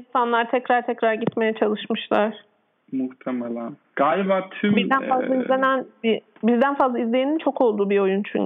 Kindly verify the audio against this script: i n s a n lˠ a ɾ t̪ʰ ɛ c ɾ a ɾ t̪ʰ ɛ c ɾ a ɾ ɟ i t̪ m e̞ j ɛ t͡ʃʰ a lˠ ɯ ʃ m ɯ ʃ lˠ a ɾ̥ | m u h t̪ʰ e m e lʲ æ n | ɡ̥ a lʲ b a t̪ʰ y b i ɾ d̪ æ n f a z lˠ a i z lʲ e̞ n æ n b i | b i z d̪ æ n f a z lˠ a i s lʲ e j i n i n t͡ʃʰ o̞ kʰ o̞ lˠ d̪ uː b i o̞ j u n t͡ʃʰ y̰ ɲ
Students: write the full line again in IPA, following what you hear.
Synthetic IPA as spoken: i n s a n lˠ a ɾ t̪ʰ ɛ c ɾ a ɾ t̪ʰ ɛ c ɾ a ɾ ɟ i t̪ m e̞ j ɛ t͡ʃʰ a lˠ ɯ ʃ m ɯ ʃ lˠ a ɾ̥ | m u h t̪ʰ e m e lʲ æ n | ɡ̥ a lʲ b a t̪ʰ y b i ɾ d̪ æ n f a z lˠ a i z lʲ e̞ n æ n b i | b i z d̪ æ n f a z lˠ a i z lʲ e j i n i n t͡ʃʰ o̞ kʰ o̞ lˠ d̪ uː b i o̞ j u n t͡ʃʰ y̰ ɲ